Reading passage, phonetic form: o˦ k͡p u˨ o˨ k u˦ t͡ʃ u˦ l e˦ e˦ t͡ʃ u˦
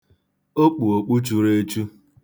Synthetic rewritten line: o˦ k͡p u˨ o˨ k͡p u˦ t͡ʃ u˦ ɾ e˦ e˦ t͡ʃ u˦